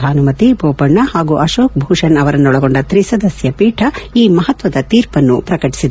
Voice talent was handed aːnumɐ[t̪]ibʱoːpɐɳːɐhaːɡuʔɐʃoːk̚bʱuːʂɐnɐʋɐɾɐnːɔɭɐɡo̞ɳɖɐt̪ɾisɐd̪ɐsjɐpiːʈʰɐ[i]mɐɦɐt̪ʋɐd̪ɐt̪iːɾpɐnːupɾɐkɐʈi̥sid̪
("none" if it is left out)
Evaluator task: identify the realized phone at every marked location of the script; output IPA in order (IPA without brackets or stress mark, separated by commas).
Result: t̪, iː